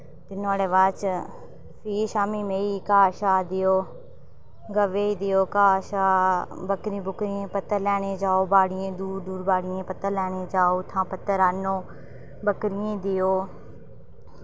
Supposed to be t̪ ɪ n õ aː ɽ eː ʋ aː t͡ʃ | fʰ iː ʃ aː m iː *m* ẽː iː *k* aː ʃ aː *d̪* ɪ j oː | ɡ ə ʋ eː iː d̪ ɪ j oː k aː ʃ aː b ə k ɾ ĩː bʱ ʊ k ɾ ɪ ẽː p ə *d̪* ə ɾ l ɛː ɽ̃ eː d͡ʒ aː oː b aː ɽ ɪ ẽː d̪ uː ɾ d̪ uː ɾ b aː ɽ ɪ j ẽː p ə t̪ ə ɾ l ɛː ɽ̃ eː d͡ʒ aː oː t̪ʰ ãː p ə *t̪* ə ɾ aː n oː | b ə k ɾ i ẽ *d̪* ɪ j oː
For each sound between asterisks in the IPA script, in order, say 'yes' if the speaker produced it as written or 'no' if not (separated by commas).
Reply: yes, yes, yes, no, yes, yes